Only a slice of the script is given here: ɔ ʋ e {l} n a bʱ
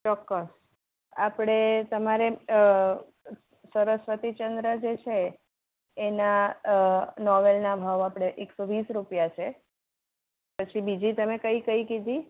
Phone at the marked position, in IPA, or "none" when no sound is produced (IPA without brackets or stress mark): l